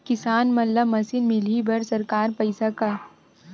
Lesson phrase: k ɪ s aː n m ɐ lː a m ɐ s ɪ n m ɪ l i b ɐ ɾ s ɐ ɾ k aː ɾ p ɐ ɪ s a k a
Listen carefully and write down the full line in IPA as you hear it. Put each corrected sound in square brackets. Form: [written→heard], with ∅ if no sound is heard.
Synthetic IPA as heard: k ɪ s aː n m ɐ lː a m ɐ s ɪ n m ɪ l i b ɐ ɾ s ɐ ɾ k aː ɾ p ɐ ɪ s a k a